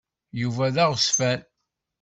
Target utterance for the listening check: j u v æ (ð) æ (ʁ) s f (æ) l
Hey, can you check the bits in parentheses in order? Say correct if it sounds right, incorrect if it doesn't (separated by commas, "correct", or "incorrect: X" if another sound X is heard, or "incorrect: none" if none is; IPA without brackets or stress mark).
correct, correct, correct